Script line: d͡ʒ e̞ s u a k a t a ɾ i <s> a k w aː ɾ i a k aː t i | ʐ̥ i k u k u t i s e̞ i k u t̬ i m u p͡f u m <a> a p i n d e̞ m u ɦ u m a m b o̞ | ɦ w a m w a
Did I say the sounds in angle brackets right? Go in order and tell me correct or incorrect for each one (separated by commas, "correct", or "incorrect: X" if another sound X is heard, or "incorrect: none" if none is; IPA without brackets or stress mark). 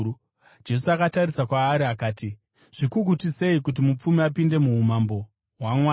correct, incorrect: i